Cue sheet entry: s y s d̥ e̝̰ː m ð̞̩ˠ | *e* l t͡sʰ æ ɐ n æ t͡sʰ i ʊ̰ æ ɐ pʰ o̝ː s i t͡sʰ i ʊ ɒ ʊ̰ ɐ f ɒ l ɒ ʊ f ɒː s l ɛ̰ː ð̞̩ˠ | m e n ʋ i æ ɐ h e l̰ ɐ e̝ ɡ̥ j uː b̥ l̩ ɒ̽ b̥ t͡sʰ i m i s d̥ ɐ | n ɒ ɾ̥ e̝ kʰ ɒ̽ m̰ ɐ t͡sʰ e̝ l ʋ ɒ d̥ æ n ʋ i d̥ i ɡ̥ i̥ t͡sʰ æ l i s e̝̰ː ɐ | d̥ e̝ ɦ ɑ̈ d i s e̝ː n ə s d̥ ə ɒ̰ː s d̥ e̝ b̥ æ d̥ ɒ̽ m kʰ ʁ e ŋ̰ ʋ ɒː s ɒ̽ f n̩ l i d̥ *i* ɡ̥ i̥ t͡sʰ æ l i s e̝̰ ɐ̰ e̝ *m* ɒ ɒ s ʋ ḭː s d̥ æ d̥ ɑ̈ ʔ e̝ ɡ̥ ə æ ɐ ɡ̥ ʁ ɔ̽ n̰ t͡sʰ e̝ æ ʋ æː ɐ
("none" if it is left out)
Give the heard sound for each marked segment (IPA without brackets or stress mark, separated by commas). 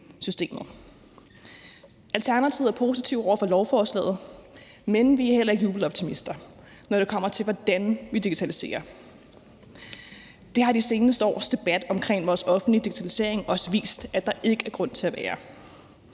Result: æ, i, ŋ